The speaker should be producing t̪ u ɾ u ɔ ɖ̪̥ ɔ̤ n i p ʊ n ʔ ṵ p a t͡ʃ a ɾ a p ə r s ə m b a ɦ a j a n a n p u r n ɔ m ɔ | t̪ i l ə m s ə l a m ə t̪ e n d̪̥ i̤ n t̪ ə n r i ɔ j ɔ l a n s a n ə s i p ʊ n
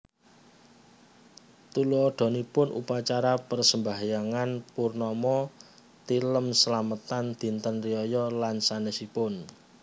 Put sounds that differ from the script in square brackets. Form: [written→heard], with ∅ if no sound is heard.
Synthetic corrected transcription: t̪ u [ɾ→l] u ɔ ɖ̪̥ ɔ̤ n i p ʊ n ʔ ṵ p a t͡ʃ a ɾ a p ə r s ə m b a ɦ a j a [n→ŋ] a n p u r n ɔ m ɔ | t̪ i l ə m s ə l a m ə t̪ [e→a] n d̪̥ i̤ n t̪ ə n r i ɔ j ɔ l a n s a n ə s i p ʊ n